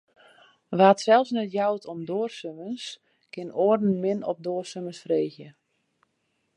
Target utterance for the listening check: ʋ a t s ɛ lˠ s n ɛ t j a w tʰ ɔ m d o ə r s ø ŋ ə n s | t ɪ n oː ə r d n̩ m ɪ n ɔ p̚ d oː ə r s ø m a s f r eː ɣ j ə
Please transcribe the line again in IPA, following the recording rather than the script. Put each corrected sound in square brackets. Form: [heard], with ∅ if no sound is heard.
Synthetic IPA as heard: ʋ a t s ɛ lˠ s n ɛ t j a w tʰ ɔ m d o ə r s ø [m] ə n s | [k] ɪ n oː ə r d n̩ m ɪ n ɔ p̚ d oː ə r s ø m [ə] s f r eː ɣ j ə